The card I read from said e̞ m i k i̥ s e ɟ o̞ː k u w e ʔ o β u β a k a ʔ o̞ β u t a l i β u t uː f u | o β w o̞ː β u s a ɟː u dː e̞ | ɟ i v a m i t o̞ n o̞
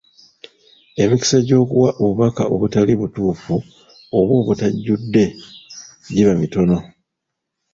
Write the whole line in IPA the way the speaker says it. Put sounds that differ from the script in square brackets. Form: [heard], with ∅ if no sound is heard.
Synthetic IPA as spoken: e̞ m i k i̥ s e ɟ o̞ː k u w [a] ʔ o β u β a k a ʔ o̞ β u t a l i β u t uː f u | o β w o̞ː β u [t] a ɟː u dː e̞ | ɟ i [β] a m i t o̞ n o̞

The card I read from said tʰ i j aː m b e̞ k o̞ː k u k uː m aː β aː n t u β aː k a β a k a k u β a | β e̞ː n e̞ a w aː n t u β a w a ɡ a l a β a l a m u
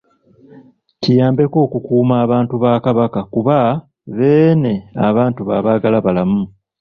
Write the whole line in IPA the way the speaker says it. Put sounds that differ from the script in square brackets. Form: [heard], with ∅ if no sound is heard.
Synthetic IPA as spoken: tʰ i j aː m b e̞ k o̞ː k u k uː m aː β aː n t u β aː k a β a k a k u β a | β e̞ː n e̞ a [β] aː n t u β a [β] a ɡ a l a β a l a m u

